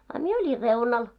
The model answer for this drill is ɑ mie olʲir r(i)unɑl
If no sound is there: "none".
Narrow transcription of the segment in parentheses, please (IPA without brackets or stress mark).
e